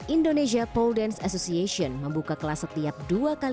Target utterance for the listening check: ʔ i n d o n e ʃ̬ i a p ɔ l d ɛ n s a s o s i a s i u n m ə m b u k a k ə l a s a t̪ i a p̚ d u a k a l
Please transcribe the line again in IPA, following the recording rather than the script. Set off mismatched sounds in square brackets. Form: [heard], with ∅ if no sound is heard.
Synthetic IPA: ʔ i n d o n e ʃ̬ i a p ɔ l d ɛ n s a s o s i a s i [ɔ] n m ə m b u k a k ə l a s [ə] t̪ i a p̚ d u a k a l